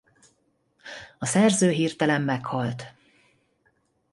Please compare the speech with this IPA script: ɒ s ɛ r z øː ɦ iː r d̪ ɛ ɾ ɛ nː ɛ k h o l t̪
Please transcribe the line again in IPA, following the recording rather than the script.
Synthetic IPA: ɒ s ɛ r z øː ɦ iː r t̪ ɛ l ɛ mː ɛ k h ɒ l t̪